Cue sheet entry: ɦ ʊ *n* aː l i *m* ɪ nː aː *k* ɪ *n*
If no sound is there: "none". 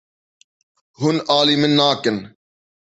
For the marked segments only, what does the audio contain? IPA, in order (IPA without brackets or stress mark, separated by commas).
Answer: n, m, k, n